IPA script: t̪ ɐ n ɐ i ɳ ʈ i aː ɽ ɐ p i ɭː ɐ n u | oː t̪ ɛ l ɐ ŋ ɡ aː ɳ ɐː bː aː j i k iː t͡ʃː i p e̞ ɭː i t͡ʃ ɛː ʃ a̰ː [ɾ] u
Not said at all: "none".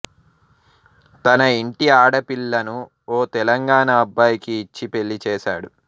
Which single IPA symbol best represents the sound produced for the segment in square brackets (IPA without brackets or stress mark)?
ɽ